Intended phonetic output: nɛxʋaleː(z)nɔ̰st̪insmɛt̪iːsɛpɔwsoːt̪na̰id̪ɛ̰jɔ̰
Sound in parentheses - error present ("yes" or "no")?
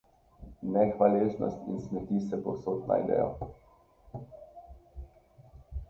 no